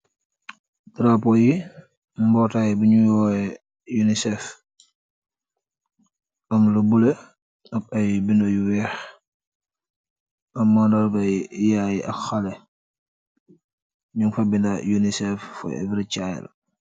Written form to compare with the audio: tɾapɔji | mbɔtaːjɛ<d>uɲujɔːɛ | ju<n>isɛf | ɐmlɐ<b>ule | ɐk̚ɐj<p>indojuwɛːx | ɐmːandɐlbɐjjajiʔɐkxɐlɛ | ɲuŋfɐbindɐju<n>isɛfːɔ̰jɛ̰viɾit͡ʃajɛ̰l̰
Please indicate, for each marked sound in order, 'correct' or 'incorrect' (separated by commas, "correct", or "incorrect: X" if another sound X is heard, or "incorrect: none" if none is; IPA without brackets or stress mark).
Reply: incorrect: b, correct, correct, incorrect: b, correct